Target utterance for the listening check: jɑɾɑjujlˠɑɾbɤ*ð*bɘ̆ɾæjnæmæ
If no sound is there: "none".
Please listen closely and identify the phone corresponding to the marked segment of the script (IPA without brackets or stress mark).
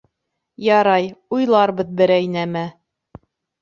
ð